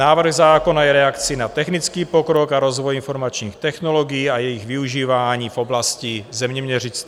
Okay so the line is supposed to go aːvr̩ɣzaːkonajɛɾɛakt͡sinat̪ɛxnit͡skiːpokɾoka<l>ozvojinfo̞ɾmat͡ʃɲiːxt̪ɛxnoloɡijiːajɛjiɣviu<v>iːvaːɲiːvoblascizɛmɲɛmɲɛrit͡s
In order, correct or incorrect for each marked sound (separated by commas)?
incorrect, incorrect